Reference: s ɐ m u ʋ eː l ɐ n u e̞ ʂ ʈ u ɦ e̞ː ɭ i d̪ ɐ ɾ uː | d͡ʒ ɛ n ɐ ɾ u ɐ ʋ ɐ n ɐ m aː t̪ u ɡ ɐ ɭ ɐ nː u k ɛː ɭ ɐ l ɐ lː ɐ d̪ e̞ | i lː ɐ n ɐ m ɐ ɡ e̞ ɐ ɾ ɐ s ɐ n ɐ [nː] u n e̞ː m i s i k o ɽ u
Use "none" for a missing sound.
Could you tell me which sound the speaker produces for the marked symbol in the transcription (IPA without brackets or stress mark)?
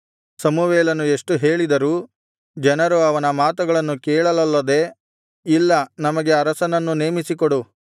nː